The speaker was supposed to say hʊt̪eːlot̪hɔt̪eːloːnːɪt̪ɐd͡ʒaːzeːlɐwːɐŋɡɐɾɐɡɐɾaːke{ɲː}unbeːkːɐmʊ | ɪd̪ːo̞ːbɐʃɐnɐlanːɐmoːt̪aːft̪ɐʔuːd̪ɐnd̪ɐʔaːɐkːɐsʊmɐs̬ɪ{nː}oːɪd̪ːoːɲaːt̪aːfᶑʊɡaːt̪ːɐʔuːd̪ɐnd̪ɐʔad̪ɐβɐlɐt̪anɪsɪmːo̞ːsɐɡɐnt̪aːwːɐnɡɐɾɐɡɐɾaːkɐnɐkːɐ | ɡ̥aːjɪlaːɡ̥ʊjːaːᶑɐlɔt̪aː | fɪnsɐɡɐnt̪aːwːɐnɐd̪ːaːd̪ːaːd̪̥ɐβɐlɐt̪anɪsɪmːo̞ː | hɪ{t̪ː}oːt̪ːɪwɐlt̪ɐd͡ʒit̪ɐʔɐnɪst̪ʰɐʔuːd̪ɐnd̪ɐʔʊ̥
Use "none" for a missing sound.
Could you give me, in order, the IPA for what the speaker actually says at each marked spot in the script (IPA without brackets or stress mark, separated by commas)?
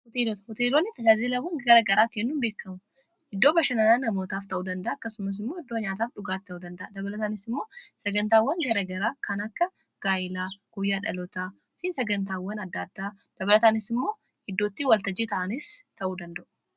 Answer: nː, mː, d̪ː